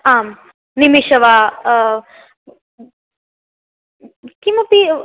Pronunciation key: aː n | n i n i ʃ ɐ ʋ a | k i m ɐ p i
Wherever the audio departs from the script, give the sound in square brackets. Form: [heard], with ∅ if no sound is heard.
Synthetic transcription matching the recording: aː [m] | n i [m] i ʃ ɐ ʋ a | k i m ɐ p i